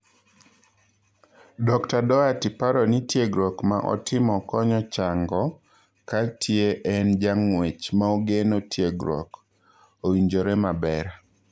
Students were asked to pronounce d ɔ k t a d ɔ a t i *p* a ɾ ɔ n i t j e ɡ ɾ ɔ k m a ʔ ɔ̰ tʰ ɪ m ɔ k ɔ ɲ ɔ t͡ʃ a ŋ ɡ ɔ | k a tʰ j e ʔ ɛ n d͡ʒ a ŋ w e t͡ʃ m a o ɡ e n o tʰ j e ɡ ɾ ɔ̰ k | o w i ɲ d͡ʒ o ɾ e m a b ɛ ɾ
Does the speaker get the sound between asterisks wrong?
no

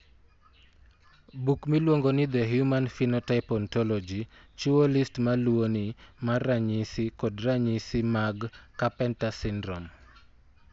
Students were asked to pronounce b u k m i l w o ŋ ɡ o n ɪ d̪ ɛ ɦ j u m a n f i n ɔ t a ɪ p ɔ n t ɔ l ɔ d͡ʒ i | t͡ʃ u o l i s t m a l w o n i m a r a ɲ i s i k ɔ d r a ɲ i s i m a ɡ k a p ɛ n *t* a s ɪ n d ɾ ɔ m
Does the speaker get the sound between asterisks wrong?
no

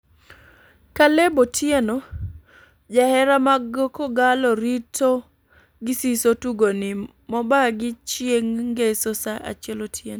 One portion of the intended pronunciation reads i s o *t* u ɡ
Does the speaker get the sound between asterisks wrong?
no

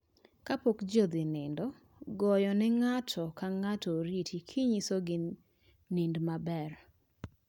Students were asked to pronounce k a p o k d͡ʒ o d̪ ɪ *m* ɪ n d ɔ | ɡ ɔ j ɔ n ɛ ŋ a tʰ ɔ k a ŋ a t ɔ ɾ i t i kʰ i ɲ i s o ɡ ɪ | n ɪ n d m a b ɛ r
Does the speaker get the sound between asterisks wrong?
yes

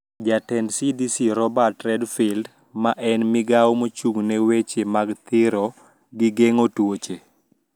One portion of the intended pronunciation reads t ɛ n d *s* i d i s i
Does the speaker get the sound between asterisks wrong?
no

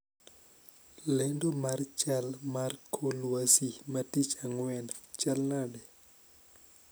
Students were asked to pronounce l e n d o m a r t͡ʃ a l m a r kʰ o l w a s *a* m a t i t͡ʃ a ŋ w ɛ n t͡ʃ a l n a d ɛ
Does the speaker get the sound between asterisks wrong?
yes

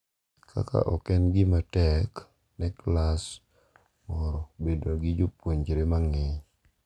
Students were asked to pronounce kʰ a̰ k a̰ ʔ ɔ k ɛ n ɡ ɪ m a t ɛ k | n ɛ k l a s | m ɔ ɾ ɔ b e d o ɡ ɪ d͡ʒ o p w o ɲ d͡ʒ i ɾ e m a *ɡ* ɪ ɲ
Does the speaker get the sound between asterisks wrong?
yes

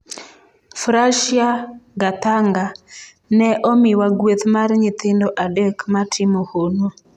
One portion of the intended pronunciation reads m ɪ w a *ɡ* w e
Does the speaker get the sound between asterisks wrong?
no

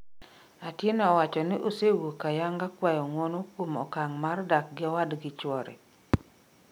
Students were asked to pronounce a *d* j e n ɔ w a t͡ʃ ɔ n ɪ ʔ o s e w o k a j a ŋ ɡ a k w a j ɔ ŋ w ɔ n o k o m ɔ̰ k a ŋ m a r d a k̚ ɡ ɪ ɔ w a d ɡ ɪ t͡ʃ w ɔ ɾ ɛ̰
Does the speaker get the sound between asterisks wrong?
yes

